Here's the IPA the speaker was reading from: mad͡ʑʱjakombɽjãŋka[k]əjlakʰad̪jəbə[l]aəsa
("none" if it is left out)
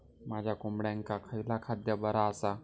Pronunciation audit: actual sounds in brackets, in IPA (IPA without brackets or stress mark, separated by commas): kʰ, ɾ